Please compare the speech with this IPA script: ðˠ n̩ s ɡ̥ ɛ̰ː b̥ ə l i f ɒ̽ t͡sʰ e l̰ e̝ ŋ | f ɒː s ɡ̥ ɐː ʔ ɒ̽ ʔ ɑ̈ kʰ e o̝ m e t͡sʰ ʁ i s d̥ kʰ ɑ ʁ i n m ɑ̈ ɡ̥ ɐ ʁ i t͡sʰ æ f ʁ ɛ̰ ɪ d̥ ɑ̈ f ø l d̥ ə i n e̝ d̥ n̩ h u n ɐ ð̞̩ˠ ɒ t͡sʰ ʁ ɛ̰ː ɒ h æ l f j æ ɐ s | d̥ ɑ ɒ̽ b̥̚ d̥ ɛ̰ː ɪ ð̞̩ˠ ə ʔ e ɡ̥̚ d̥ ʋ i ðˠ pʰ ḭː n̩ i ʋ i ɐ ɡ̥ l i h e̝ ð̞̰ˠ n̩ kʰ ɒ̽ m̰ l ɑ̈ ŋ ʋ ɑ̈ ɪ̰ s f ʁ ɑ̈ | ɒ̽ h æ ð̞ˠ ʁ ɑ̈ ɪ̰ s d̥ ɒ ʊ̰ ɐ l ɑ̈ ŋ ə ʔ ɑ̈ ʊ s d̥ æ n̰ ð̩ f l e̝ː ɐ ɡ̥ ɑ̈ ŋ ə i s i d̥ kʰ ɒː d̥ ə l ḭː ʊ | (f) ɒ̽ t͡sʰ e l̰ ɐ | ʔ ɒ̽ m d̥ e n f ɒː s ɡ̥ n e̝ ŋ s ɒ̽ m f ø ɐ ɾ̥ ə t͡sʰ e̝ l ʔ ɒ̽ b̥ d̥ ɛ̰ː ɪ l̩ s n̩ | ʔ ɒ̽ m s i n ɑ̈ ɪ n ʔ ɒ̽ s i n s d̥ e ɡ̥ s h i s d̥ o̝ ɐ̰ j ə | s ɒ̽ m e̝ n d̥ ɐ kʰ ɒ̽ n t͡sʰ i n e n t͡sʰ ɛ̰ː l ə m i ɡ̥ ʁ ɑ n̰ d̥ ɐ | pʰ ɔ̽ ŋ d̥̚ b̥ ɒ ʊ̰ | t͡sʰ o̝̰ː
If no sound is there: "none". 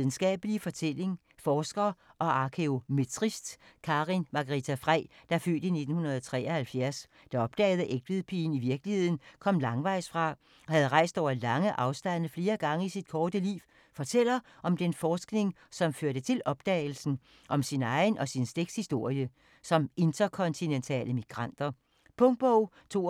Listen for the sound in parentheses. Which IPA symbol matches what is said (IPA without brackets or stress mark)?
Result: f